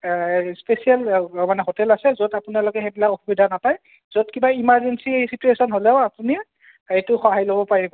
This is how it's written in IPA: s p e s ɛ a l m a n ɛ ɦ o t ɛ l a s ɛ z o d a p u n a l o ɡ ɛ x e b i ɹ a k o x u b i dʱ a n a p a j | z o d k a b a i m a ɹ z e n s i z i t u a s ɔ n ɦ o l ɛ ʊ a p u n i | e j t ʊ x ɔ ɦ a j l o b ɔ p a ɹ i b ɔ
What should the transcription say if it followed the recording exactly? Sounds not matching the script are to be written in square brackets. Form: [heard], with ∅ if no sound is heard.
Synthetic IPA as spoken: s p e s [i] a l m a n ɛ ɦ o t ɛ l a s ɛ z o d a p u n a l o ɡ ɛ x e b i [l] a k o x u b i dʱ a n a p a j | z o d k [i] b a i m a ɹ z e n s i [s] i t u [e] s ɔ n ɦ o l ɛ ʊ a p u n i | e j t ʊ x ɔ ɦ a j l o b ɔ p a ɹ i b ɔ